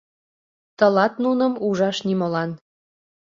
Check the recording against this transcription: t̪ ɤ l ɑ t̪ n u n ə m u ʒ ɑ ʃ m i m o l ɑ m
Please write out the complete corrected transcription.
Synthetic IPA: t̪ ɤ l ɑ t̪ n u n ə m u ʒ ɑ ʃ n i m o l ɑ n